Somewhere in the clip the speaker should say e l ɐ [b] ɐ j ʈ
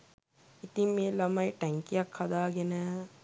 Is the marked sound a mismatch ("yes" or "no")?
yes